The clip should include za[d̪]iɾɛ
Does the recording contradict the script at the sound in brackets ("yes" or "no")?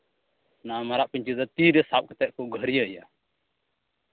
yes